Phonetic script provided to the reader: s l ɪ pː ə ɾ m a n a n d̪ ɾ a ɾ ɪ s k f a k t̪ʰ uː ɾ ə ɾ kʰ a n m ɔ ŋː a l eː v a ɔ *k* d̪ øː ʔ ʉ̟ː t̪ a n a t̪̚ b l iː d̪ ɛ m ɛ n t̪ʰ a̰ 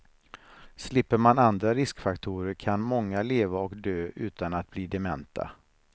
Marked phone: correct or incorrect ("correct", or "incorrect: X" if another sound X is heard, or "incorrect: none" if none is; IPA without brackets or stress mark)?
correct